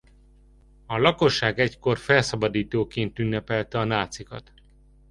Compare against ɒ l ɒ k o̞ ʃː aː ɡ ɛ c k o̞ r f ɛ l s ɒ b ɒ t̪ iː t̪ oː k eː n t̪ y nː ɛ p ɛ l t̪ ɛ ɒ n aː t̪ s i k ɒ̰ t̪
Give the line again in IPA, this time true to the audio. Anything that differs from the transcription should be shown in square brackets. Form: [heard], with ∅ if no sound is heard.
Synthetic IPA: ɒ l ɒ k o̞ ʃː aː ɡ ɛ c k o̞ r f ɛ l s ɒ b ɒ [d̪] iː t̪ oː k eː n t̪ y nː ɛ p ɛ l t̪ ɛ ɒ n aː t̪ s i k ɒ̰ t̪

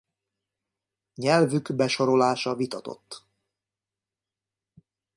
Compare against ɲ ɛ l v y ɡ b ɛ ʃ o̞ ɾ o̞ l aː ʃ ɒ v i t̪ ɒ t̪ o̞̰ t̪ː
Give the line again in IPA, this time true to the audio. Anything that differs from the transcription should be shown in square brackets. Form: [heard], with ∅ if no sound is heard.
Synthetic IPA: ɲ ɛ l v y ɡ b ɛ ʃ o̞ ɾ o̞ l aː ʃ ɒ v i t̪ ɒ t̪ o̞̰ t̪ː

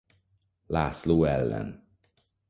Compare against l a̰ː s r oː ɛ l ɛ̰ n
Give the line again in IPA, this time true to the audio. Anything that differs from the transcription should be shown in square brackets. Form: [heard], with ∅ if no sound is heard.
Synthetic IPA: l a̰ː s [l] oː ɛ [lː] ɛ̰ n

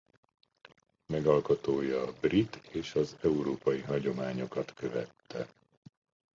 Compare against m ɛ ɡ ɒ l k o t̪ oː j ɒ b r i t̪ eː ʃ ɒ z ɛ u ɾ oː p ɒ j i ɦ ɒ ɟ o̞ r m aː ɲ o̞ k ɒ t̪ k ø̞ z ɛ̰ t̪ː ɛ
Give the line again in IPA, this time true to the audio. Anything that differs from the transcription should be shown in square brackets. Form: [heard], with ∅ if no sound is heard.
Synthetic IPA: m ɛ ɡ ɒ l k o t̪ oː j ɒ b r i t̪ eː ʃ ɒ z ɛ u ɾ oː p ɒ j i ɦ ɒ ɟ o̞ [∅] m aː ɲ o̞ k ɒ t̪ k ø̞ [v] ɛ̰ t̪ː ɛ

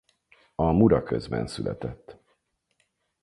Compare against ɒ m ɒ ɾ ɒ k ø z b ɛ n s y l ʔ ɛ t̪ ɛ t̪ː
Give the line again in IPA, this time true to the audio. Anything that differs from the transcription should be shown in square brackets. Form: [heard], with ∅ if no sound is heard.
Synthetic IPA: ɒ m [u] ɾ ɒ k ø z b ɛ n s y l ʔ ɛ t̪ ɛ t̪ː

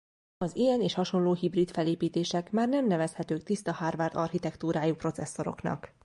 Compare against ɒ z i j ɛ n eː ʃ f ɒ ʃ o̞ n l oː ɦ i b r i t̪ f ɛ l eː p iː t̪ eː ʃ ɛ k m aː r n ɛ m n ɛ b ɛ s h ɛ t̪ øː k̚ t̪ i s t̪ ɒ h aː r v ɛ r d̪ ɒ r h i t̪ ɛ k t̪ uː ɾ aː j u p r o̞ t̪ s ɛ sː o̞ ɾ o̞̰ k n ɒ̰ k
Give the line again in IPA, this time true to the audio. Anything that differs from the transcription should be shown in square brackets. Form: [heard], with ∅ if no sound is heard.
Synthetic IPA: ɒ z i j ɛ n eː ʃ [h] ɒ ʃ o̞ n l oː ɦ i b r i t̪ f ɛ l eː p iː t̪ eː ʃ ɛ k m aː r n ɛ m n ɛ [v] ɛ s h ɛ t̪ øː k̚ t̪ i s t̪ ɒ h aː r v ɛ r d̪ ɒ r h i t̪ ɛ k t̪ uː ɾ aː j u p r o̞ t̪ s ɛ sː o̞ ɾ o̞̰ k n ɒ̰ k

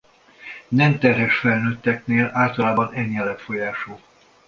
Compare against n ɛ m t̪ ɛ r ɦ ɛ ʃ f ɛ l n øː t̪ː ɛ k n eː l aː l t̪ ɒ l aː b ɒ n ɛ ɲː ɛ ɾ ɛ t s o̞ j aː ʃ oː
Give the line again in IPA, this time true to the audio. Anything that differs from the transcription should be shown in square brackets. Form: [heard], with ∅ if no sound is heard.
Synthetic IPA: n ɛ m t̪ ɛ r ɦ ɛ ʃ f ɛ l n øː t̪ː ɛ k n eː l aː l t̪ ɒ l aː b ɒ n ɛ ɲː ɛ [l] ɛ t [f] o̞ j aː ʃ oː

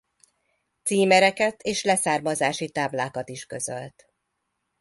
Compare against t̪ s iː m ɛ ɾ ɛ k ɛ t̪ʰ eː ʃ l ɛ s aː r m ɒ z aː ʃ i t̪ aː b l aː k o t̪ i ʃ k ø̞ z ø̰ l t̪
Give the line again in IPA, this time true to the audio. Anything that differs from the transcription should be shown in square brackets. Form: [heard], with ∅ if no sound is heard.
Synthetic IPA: t̪ s iː m ɛ ɾ ɛ k ɛ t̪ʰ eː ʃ l ɛ s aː r m ɒ z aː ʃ i t̪ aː b l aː k [ɒ] t̪ i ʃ k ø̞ z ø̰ l t̪

